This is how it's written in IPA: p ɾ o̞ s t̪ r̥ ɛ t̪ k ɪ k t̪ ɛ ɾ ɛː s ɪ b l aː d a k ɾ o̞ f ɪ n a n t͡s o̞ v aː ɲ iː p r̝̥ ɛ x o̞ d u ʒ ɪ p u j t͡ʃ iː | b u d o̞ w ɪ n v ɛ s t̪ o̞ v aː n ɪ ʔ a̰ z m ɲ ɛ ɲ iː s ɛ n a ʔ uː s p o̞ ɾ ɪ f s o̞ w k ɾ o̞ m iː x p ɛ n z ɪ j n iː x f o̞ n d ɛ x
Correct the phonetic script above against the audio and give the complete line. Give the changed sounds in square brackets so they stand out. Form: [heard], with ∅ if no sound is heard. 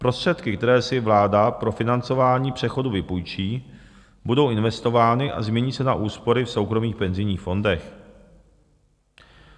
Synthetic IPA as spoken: p ɾ o̞ s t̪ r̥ ɛ t̪ k ɪ k t̪ ɛ ɾ ɛː s ɪ [v] l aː d a [p] ɾ o̞ f ɪ n a n t͡s o̞ v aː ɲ iː p r̝̥ ɛ x o̞ d u [v] ɪ p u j t͡ʃ iː | b u d o̞ w ɪ n v ɛ s t̪ o̞ v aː n ɪ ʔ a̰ z m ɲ ɛ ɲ iː s ɛ n a ʔ uː s p o̞ ɾ ɪ f s o̞ w k ɾ o̞ m iː x p ɛ n z ɪ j [ɲ] iː x f o̞ n d ɛ x